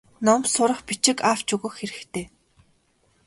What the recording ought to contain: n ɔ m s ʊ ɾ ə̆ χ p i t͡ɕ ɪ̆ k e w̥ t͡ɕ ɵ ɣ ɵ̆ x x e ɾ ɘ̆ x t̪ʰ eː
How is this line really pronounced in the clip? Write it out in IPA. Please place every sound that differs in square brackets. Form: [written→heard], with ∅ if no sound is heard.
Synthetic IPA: n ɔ m s ʊ ɾ ə̆ χ p i t͡ɕ ɪ̆ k [e→a] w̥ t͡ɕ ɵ ɣ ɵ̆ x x e ɾ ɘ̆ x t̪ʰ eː